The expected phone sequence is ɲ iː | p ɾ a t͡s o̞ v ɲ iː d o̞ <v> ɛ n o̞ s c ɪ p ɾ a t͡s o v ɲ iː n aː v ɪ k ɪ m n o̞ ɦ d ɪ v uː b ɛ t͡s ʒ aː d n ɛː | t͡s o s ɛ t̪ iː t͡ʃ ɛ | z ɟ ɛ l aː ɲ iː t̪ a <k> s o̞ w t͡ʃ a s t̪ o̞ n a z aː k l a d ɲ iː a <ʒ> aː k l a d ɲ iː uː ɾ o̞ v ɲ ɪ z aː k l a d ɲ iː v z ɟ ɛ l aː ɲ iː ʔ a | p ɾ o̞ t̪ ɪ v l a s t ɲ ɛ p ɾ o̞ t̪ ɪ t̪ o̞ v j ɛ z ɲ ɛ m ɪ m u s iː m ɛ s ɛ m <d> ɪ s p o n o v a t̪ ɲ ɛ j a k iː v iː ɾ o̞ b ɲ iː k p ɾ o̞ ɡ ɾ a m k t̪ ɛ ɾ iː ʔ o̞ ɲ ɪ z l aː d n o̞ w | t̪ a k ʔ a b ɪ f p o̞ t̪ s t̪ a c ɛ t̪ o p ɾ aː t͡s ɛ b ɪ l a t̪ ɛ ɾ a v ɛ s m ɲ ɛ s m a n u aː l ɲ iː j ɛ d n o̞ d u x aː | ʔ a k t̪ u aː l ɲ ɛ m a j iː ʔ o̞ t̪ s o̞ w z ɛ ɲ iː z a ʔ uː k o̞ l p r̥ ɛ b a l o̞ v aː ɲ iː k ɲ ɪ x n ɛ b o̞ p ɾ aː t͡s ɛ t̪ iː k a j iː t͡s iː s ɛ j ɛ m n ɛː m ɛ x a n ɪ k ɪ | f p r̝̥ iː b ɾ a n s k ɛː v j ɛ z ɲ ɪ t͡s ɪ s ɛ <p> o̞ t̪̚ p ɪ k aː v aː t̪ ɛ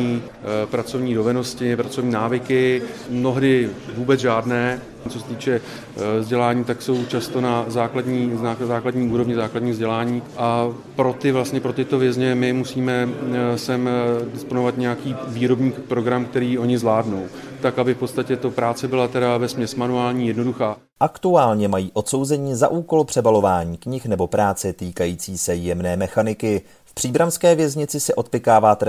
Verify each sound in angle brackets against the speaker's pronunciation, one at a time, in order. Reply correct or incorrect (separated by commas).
correct, correct, incorrect, correct, incorrect